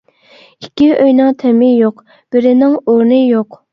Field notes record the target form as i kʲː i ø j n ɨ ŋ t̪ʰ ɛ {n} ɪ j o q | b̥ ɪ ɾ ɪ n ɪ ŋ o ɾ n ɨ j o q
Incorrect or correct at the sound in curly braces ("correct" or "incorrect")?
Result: incorrect